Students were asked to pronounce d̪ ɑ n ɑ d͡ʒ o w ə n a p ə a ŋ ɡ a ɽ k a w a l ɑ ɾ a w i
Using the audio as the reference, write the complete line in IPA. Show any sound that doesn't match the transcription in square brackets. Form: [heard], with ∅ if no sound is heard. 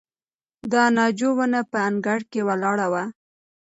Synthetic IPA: d̪ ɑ n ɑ d͡ʒ o w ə n a p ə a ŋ ɡ a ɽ k [e] w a l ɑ [ɽ] a w [a]